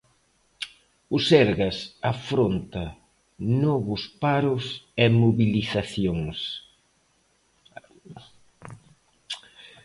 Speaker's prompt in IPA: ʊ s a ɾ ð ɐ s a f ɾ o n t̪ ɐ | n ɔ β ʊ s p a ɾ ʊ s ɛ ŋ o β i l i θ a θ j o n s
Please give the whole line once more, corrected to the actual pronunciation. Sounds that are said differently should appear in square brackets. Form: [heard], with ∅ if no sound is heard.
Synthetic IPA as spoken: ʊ s [ɛ] ɾ [ɣ] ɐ s a f ɾ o n t̪ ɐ | n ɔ β ʊ s p a ɾ ʊ s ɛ [m] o β i l i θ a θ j o [ŋ] s